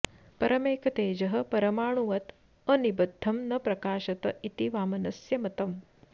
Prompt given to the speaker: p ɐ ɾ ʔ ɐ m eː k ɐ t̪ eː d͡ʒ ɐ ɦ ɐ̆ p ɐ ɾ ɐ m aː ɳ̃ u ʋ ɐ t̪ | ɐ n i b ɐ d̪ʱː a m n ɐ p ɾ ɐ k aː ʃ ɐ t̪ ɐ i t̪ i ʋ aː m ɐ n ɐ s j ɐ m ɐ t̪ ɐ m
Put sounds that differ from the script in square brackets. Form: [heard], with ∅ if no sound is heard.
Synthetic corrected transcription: p ɐ ɾ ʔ ɐ m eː k ɐ t̪ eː d͡ʒ ɐ ɦ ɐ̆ p ɐ ɾ ɐ m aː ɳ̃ u ʋ ɐ t̪ | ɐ n i b ɐ d̪ʱː [ɐ] m n ɐ p ɾ ɐ k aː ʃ ɐ t̪ ɐ i t̪ i ʋ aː m ɐ n ɐ s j ɐ m ɐ t̪ ɐ m